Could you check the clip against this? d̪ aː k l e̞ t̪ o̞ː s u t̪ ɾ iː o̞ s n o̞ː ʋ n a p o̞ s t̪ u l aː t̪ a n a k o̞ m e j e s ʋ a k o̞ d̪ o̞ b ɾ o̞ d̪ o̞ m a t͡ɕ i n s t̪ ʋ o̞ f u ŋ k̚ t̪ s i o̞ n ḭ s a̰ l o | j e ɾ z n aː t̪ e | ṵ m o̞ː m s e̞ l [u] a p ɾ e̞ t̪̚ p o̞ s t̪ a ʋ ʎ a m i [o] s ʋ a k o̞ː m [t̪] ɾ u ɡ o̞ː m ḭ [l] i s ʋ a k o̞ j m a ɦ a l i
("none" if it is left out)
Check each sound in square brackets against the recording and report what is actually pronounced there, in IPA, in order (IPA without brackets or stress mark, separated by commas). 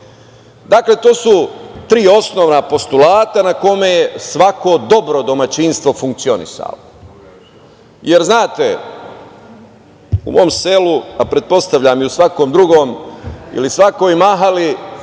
u, u, d̪, l